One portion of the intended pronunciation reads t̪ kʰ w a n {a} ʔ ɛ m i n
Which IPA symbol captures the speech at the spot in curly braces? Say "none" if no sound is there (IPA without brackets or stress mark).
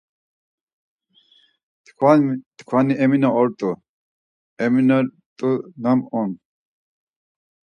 i